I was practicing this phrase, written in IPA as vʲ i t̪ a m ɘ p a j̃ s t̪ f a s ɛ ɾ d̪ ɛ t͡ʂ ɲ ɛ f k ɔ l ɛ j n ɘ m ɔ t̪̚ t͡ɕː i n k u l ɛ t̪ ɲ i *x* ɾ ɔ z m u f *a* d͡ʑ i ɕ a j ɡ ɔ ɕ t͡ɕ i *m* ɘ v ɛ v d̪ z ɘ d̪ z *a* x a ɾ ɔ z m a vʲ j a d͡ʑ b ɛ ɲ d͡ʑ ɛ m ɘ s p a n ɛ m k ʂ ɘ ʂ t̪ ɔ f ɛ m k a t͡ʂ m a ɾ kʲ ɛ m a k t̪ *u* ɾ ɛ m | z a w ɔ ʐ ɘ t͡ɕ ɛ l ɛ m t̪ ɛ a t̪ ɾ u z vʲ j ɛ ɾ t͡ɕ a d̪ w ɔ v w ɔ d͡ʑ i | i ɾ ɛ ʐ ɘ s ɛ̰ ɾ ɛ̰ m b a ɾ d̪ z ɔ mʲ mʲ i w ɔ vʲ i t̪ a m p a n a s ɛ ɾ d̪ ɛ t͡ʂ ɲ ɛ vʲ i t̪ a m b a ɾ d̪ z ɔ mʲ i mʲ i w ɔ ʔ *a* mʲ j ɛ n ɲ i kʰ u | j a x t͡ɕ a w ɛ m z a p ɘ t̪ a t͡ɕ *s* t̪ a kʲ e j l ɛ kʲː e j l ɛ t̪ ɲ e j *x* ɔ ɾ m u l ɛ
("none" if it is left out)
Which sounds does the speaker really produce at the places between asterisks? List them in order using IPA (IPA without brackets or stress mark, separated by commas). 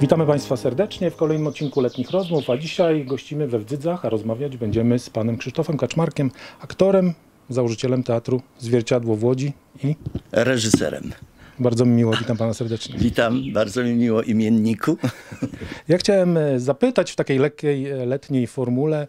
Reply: x, a, m, a, ɔ, i, f, f